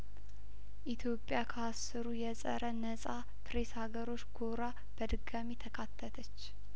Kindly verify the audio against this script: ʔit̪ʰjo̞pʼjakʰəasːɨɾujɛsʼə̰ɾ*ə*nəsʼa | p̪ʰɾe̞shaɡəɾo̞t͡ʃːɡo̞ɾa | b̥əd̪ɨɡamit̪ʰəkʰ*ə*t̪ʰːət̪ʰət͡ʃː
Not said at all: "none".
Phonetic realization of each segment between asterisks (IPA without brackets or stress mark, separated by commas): ə, a